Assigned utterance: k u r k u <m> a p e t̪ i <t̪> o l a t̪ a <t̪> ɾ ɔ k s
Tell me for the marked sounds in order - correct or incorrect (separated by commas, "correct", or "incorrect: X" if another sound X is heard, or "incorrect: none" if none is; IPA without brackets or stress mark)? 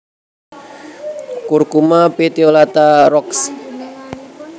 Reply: correct, incorrect: none, incorrect: none